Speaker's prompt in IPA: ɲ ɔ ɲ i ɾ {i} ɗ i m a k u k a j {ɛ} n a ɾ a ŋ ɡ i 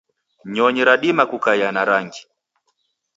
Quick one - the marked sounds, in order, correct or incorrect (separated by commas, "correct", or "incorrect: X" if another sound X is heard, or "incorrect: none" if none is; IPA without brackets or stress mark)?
incorrect: a, incorrect: a